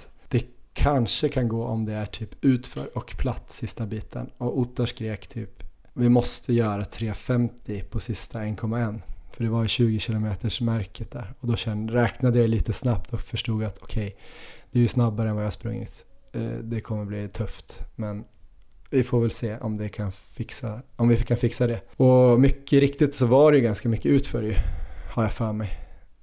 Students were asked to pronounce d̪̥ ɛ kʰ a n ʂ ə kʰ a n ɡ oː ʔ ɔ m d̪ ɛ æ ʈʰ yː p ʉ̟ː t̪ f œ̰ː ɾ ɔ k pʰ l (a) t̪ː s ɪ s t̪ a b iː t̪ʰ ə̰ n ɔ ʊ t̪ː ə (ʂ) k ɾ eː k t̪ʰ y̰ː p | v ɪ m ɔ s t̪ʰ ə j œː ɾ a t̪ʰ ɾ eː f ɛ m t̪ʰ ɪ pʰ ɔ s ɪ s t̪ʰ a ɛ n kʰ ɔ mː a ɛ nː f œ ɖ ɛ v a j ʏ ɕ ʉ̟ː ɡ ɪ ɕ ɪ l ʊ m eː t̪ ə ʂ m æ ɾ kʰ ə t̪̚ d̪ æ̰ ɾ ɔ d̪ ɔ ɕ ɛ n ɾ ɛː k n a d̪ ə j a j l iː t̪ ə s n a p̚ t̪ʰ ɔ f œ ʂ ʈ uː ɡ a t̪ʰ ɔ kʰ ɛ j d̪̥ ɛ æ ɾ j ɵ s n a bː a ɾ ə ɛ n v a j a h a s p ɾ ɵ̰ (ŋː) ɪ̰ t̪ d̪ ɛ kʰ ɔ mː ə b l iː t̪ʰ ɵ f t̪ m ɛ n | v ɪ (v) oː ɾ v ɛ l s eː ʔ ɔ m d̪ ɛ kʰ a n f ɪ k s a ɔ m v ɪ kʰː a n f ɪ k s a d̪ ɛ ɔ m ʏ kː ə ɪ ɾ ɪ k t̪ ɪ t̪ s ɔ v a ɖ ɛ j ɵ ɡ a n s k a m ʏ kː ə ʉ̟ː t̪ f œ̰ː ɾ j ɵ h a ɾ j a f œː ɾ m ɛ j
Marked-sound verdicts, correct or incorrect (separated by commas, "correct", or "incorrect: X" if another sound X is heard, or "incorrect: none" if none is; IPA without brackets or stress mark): correct, correct, correct, incorrect: f